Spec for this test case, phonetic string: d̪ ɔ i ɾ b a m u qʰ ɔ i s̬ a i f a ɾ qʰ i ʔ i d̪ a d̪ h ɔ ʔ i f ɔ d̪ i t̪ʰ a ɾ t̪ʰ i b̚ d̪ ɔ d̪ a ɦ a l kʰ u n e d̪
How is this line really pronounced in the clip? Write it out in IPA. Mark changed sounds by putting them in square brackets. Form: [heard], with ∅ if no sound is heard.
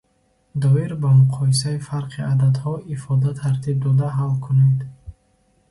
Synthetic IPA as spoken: d̪ ɔ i ɾ b a m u qʰ ɔ i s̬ a i f a ɾ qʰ i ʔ [a] d̪ a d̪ h ɔ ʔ i f ɔ d̪ [a] t̪ʰ a ɾ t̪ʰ i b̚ d̪ ɔ d̪ a ɦ a l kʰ u n e d̪